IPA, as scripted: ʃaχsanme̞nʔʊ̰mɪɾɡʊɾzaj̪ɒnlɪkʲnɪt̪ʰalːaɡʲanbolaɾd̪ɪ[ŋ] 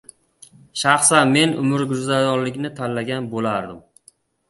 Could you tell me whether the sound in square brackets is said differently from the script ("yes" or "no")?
yes